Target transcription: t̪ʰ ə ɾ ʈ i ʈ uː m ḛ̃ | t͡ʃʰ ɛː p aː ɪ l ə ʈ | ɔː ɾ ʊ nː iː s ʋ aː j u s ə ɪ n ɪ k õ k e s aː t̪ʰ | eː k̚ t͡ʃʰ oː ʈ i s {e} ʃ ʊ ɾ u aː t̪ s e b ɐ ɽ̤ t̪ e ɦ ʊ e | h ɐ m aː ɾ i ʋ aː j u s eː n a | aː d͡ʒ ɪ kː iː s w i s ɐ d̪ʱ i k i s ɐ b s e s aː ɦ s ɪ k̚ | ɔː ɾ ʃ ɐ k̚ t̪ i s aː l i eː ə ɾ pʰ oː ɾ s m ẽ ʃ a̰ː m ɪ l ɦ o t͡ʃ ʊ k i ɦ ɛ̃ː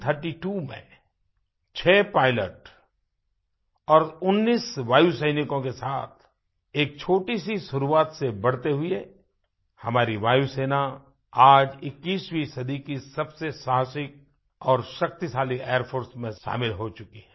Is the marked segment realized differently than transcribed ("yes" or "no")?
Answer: yes